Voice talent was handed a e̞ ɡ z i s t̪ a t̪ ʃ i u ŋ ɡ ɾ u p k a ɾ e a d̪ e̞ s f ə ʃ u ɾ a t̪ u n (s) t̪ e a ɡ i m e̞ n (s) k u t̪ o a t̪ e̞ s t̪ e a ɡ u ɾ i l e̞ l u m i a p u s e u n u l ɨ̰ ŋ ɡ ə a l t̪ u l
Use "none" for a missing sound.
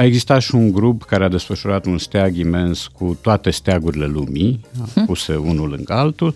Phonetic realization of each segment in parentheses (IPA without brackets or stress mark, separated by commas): s, s